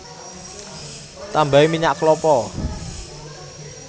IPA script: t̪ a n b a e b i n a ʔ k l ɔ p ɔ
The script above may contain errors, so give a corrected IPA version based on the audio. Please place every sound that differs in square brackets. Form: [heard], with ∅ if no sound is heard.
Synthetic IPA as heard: t̪ a [m] b a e [m] i [ɲ] a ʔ k l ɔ p ɔ